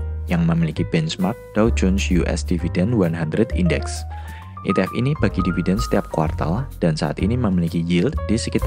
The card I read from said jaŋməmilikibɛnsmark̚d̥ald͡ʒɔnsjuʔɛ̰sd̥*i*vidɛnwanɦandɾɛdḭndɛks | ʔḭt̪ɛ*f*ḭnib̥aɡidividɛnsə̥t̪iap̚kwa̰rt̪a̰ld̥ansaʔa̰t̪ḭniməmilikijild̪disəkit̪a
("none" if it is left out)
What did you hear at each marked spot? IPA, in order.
i, f

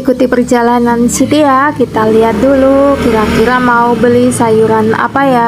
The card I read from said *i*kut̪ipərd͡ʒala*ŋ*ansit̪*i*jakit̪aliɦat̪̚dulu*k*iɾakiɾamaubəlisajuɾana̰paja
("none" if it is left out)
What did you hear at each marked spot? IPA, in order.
i, n, i, k

